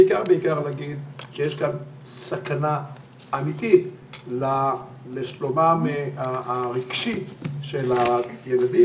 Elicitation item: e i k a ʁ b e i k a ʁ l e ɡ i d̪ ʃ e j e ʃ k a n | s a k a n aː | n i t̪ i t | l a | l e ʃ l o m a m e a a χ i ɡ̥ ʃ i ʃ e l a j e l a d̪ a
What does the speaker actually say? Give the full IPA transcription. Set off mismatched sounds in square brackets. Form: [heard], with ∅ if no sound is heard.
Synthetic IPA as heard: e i k a ʁ b e i k a ʁ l [a] ɡ i d̪ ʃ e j e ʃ k a n | s a k a n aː | [m] i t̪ i t | l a | l e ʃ l o m a m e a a [ʁ] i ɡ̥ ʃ i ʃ e l a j e l a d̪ [i]